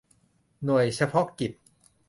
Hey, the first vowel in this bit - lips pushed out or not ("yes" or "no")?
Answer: yes